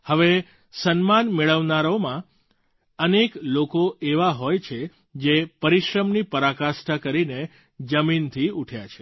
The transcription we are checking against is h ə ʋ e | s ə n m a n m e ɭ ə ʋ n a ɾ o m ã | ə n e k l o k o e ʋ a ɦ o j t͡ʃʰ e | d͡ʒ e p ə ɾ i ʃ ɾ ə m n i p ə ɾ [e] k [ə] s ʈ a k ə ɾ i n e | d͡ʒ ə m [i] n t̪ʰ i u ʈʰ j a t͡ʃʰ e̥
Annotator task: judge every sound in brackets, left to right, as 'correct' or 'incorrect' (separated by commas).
incorrect, incorrect, correct